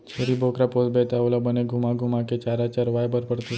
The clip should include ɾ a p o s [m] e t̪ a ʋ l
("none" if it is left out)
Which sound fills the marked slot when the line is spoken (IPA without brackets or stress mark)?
b